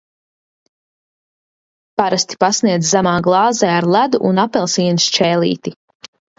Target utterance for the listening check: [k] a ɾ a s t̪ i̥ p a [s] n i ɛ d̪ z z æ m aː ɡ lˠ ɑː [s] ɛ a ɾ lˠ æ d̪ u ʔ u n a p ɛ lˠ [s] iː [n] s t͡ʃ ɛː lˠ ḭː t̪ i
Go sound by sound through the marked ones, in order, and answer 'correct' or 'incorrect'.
incorrect: p, correct, incorrect: z, correct, correct

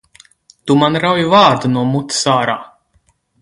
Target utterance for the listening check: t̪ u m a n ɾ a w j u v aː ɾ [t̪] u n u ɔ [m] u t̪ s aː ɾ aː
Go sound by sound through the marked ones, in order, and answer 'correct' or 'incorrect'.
incorrect: d̪, correct

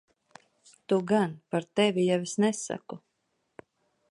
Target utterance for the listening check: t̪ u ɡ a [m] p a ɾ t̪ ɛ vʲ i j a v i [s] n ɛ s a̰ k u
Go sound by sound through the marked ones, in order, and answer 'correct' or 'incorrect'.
incorrect: n, correct

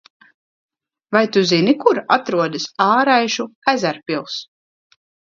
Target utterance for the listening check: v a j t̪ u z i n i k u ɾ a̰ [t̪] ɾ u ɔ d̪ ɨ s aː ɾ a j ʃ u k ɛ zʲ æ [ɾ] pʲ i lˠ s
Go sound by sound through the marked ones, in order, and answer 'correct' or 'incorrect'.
correct, correct

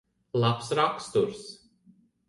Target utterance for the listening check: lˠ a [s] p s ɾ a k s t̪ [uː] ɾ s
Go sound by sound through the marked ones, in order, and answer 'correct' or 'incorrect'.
incorrect: none, incorrect: u

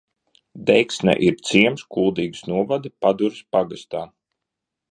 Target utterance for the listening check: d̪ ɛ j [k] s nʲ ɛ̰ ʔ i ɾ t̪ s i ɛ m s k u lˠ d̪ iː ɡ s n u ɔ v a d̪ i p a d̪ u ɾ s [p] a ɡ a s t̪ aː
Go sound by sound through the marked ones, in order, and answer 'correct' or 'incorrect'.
correct, correct

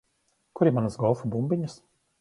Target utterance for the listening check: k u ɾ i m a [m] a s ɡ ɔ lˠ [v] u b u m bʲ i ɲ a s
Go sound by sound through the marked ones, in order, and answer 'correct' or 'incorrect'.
incorrect: n, incorrect: f

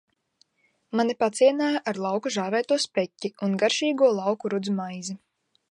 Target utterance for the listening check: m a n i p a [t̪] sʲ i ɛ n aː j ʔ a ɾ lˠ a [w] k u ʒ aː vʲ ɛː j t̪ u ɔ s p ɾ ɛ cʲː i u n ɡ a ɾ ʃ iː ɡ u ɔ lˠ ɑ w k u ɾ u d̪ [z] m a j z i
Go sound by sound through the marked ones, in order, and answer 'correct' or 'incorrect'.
correct, correct, correct

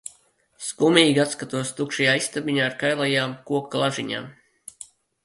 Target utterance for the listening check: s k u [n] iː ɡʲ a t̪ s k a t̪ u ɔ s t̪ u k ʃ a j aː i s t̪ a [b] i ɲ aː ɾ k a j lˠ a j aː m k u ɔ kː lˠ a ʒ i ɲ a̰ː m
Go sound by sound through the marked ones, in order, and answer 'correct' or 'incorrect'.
incorrect: m, correct

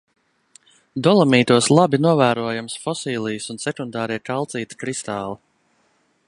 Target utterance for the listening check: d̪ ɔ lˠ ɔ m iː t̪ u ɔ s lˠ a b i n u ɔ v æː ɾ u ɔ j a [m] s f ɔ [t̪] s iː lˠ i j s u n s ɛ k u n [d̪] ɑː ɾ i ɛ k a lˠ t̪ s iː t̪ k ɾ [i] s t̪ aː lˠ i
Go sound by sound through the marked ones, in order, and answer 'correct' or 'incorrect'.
correct, incorrect: none, correct, correct

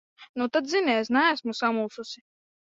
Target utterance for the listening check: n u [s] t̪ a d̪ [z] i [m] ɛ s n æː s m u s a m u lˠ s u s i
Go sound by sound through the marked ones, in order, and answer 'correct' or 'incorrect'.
incorrect: none, correct, incorrect: n

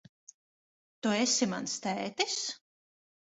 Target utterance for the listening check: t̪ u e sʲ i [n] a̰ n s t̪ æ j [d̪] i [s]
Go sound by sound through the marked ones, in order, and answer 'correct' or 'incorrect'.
incorrect: m, incorrect: t̪, correct

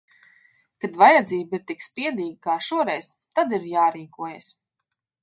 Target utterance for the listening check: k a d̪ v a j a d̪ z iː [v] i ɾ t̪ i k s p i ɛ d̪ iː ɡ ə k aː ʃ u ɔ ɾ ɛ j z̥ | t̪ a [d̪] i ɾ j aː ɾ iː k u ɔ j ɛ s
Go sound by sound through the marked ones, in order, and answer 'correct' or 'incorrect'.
incorrect: b, correct

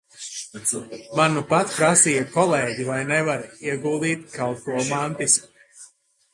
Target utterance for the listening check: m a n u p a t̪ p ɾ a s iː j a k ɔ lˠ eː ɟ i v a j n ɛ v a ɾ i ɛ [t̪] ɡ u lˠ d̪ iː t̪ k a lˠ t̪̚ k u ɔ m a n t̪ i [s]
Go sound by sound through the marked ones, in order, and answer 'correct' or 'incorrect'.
incorrect: none, correct

